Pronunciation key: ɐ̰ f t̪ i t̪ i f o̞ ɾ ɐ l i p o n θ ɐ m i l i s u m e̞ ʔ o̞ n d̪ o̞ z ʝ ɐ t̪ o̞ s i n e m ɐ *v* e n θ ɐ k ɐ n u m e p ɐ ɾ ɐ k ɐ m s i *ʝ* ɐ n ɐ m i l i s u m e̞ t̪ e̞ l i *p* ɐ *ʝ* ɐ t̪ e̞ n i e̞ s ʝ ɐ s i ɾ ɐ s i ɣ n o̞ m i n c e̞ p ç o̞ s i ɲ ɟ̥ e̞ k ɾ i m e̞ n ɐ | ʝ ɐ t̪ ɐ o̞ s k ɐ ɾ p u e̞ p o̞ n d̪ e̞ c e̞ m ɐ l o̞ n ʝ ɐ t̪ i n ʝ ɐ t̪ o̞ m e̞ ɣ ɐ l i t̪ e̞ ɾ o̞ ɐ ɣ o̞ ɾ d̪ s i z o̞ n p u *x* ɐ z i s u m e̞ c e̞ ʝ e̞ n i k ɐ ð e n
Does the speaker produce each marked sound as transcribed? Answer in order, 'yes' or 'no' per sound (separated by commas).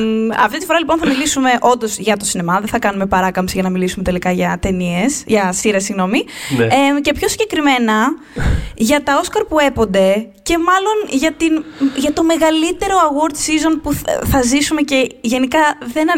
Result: no, yes, no, yes, no